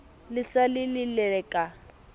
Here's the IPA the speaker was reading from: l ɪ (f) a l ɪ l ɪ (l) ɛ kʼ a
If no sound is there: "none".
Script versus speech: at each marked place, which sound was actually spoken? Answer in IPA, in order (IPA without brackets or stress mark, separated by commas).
s, l